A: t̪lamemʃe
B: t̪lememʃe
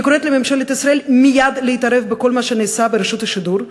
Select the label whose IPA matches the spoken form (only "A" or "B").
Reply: B